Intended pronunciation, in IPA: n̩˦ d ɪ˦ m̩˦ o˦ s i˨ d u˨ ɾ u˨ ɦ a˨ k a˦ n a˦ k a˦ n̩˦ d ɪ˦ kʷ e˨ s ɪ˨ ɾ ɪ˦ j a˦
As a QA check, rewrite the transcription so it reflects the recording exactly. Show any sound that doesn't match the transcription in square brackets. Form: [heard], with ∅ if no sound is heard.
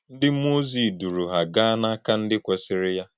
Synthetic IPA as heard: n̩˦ d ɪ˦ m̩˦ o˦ [z] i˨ d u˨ ɾ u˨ ɦ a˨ [ɡ] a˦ n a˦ k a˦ n̩˦ d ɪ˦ kʷ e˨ s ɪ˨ ɾ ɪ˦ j a˦